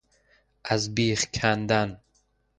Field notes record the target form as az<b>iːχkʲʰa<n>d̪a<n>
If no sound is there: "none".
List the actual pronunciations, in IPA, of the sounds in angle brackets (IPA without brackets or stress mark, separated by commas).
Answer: b, n, n